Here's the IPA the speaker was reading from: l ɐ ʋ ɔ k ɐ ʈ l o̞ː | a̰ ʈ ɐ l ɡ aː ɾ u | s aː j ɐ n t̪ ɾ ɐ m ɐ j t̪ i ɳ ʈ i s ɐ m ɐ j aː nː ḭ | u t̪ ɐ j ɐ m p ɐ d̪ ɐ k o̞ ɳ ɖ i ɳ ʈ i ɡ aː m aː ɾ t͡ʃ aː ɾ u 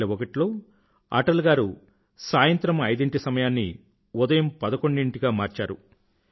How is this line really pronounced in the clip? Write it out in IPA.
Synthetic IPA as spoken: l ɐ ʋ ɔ k ɐ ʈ l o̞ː | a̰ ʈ ɐ l ɡ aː ɾ u | s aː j ɐ n t̪ ɾ ɐ m ɐ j d̪ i ɳ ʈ i s ɐ m ɐ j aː nː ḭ | u d̪ ɐ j ɐ m p ɐ d̪ ɐ k o̞ ɳ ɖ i ɳ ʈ i ɡ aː m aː ɾ t͡ʃ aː ɾ u